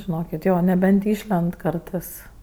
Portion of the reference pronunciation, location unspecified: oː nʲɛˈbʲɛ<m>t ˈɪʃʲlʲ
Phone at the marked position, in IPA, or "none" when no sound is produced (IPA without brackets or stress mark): n